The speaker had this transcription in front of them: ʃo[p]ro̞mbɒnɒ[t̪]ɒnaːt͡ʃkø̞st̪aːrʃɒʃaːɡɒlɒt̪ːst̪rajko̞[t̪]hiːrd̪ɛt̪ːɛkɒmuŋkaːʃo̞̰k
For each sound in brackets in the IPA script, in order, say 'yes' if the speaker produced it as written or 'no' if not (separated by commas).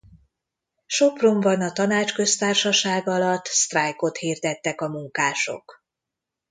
yes, yes, yes